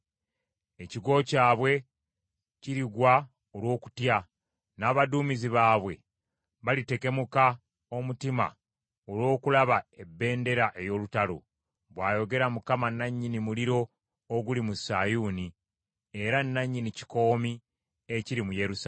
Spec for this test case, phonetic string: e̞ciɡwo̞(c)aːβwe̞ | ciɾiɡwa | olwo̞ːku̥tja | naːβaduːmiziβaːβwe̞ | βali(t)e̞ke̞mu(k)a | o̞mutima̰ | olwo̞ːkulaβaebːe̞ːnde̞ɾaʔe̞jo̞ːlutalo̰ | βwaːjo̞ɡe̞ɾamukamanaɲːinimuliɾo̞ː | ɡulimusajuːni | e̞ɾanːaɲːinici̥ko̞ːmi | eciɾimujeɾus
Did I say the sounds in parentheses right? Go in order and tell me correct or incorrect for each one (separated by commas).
correct, correct, correct